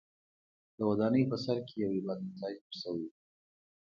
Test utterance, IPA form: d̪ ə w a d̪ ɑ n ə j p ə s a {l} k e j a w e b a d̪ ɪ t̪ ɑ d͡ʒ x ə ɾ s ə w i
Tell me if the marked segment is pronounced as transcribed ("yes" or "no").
no